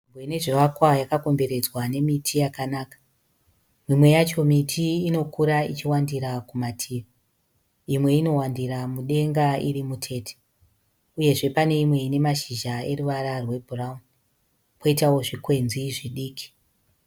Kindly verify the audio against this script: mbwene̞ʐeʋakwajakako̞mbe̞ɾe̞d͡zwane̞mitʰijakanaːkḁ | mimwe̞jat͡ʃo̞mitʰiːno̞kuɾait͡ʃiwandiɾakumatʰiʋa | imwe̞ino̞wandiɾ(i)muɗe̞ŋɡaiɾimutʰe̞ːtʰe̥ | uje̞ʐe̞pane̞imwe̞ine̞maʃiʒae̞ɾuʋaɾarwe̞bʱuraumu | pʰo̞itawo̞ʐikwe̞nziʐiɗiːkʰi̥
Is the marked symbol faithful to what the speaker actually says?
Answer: no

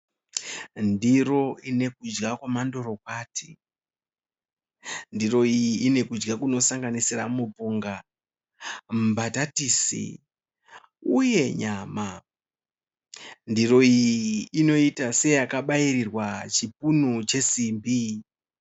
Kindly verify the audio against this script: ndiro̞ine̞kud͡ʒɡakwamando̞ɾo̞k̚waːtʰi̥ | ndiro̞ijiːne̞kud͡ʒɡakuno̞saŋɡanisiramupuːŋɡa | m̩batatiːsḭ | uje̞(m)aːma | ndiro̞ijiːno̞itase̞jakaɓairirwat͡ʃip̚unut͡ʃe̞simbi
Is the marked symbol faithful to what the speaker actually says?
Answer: no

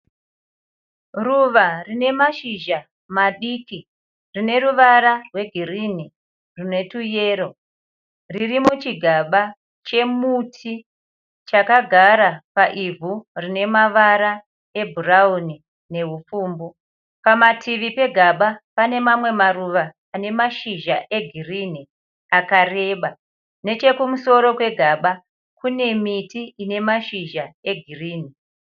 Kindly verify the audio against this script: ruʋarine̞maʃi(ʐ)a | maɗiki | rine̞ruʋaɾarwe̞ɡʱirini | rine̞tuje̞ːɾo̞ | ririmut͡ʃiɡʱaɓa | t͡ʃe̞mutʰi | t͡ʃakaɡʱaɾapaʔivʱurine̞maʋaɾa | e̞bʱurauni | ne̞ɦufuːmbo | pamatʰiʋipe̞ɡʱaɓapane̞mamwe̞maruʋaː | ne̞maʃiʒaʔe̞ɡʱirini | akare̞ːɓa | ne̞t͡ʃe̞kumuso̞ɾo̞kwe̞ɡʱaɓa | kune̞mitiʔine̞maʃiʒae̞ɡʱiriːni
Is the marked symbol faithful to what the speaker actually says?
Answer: no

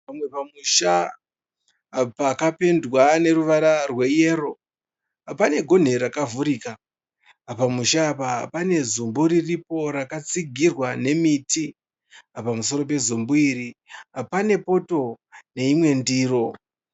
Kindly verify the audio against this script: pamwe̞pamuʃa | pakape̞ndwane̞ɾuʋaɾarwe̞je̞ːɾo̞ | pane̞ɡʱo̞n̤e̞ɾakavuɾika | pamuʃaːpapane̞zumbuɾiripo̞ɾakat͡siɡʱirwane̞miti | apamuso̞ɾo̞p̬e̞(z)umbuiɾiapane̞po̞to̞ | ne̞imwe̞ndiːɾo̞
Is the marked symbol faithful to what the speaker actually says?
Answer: yes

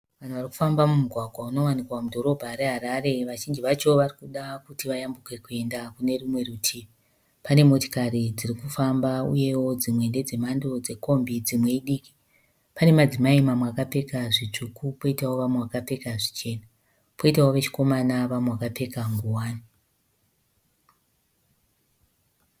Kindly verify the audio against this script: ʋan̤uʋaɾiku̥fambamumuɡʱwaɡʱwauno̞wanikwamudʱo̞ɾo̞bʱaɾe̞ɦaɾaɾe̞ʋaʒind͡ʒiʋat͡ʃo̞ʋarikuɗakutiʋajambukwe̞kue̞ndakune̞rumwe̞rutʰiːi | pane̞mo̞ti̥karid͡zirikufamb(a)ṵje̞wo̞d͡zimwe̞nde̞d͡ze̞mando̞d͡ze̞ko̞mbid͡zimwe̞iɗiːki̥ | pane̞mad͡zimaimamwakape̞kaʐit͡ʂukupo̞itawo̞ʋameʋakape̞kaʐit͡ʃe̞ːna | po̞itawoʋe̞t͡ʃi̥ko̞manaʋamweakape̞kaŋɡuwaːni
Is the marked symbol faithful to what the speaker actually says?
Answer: yes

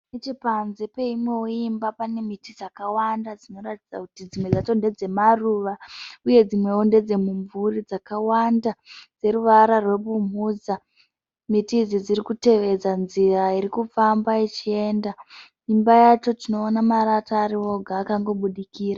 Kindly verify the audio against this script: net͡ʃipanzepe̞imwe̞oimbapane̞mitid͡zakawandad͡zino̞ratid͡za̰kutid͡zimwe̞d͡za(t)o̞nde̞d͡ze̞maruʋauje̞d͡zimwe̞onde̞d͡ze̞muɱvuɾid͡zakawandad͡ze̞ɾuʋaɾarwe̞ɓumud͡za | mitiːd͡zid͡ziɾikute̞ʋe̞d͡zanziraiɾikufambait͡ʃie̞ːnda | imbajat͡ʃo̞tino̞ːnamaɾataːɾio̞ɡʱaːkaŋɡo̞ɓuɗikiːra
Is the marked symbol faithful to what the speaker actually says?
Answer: yes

